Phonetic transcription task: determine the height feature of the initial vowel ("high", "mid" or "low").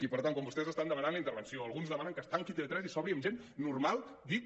high